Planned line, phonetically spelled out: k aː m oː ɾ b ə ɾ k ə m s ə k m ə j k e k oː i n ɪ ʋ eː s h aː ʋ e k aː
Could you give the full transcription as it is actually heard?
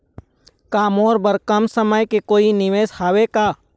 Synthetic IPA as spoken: k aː m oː ɾ b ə ɾ k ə m s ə m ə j k e k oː i n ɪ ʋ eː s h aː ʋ e k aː